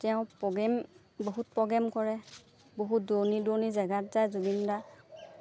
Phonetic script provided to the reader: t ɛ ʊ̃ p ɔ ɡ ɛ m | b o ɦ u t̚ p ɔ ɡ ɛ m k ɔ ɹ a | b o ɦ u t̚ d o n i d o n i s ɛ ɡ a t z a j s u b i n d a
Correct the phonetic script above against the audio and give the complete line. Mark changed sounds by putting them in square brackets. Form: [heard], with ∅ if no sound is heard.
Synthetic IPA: t ɛ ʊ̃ p ɔ ɡ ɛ m | b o ɦ u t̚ p ɔ ɡ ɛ m k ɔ ɹ [ɛ] | b o ɦ u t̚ d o n i d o n i [z] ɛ ɡ a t z a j [z] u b i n d a